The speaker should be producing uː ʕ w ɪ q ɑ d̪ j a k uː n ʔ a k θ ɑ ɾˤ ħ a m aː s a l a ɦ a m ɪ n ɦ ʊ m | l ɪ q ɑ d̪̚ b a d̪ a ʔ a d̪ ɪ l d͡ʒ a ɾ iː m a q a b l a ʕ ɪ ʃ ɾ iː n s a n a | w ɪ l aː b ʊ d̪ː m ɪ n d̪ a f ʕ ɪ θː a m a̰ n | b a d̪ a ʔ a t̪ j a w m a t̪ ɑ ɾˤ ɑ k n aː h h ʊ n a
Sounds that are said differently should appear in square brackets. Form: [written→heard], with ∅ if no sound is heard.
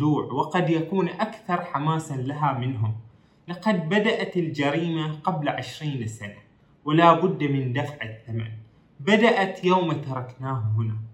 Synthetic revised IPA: uː ʕ w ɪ q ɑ d̪ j a k uː n ʔ a k θ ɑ ɾˤ ħ a m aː s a l a ɦ a m ɪ n ɦ ʊ m | l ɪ q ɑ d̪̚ b a d̪ a ʔ a [d̪→t̪] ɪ l d͡ʒ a ɾ iː m a q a b l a ʕ ɪ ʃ ɾ iː n s a n a | w ɪ l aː b ʊ d̪ː m ɪ n d̪ a f ʕ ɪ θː a m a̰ n | b a d̪ a ʔ a t̪ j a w m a t̪ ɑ ɾˤ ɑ k n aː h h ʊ n a